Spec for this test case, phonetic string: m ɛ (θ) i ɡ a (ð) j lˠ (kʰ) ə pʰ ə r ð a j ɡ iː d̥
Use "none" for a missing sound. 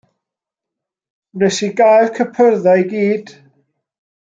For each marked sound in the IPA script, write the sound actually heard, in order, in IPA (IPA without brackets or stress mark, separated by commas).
s, none, kʰ